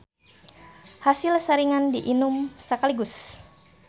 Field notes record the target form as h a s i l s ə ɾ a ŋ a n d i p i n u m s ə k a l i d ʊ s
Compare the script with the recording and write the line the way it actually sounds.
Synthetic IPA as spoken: h a s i l s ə ɾ i ŋ a n d i ʔ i n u m s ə k a l i ɡ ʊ s